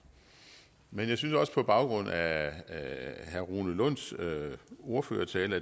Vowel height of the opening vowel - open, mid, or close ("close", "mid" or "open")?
mid